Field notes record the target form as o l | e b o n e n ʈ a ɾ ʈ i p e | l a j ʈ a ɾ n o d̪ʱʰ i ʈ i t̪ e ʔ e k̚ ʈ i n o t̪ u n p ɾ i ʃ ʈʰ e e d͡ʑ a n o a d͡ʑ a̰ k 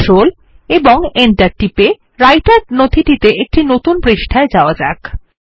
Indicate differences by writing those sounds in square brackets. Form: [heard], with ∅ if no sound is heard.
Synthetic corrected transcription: o l | e b o [ŋ] e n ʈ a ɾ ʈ i p e | [ɾ] a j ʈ a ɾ n o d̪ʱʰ i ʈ i t̪ e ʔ e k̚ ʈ i n o t̪ u n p ɾ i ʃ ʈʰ [a] e d͡ʑ a [∅] o a d͡ʑ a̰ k